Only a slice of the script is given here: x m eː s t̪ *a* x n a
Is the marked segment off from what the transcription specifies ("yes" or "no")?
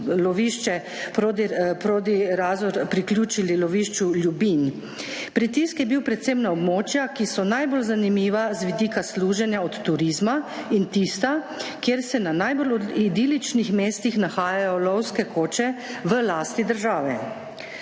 yes